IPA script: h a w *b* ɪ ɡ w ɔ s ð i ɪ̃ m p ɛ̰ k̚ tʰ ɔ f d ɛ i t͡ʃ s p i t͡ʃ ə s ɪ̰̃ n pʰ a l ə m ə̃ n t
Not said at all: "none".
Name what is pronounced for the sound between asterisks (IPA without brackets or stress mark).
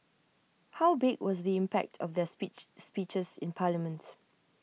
b